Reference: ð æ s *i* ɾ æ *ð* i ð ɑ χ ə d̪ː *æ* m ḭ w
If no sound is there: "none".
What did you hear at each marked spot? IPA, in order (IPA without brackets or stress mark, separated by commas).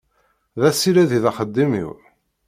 i, ð, i